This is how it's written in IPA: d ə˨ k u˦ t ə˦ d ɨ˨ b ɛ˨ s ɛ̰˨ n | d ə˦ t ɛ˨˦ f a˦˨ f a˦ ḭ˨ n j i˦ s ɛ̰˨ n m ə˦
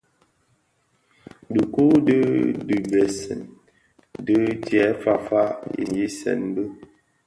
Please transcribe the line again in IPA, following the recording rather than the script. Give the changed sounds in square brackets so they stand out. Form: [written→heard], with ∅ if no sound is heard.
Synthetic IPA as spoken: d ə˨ k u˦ [t→d] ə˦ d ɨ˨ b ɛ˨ s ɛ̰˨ n | d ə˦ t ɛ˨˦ f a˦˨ f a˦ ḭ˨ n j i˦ s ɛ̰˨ n [m→b] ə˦